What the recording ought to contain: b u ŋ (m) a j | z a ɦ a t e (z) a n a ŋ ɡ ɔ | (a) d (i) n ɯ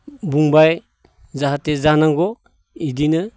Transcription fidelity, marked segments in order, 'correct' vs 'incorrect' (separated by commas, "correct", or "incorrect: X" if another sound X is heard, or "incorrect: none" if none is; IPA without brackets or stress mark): incorrect: b, correct, incorrect: i, correct